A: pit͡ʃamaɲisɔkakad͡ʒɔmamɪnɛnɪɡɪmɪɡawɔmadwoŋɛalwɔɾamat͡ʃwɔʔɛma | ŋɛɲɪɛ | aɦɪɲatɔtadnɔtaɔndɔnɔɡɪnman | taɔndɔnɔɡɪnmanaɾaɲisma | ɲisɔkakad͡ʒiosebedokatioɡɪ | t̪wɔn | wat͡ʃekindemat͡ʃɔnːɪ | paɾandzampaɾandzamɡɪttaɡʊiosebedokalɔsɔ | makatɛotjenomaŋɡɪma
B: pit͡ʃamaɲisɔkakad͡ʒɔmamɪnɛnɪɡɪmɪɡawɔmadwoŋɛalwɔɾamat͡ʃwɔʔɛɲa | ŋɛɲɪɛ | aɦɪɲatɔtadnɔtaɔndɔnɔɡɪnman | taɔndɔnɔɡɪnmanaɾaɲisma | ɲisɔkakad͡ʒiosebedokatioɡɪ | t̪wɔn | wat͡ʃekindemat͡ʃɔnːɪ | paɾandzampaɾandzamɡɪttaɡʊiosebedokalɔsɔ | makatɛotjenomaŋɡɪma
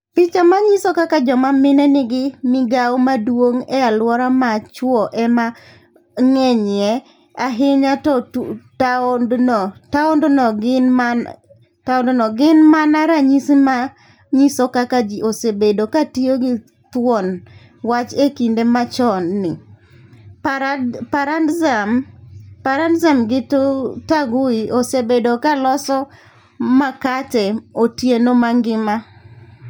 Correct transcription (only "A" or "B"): A